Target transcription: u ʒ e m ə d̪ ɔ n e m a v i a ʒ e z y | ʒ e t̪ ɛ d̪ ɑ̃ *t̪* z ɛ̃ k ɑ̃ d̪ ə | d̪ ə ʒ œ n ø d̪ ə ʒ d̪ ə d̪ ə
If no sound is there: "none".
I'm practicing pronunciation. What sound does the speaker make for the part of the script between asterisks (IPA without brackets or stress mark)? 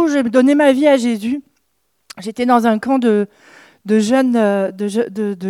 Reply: none